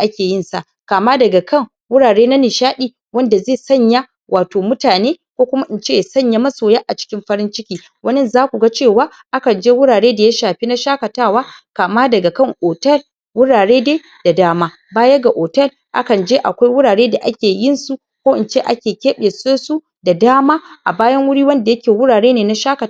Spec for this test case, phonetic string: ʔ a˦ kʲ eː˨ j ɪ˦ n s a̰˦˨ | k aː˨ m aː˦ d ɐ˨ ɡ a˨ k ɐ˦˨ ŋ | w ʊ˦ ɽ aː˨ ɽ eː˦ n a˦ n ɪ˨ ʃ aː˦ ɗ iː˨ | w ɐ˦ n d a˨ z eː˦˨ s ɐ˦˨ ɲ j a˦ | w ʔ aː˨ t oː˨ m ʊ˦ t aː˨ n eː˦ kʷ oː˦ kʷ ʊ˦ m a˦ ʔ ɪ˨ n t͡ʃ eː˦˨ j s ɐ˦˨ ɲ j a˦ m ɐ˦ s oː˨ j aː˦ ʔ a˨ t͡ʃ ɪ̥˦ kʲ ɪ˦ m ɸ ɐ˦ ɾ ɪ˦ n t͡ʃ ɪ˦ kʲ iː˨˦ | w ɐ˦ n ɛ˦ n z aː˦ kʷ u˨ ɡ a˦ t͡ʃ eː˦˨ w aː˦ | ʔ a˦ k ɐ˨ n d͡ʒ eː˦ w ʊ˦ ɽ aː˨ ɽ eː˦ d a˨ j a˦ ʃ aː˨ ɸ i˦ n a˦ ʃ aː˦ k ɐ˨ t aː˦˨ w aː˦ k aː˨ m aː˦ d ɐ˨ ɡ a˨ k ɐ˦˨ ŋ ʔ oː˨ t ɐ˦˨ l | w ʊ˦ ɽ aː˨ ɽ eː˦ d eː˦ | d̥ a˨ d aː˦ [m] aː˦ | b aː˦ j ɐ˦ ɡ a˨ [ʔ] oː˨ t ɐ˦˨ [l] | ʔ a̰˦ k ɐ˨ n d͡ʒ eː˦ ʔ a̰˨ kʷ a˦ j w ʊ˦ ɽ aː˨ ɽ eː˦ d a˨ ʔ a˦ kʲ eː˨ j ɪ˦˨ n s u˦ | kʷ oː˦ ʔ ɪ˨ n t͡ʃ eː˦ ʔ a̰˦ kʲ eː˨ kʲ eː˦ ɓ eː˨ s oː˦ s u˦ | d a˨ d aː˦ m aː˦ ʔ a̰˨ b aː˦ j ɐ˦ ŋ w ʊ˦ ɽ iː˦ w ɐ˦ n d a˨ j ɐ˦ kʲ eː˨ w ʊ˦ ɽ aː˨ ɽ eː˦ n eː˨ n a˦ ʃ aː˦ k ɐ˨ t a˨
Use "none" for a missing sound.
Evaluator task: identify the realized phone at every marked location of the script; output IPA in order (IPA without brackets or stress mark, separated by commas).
m, ʔ, l